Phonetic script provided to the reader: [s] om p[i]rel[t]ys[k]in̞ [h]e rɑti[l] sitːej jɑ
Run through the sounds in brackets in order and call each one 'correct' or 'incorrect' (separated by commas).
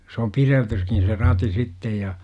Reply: correct, correct, correct, correct, incorrect, incorrect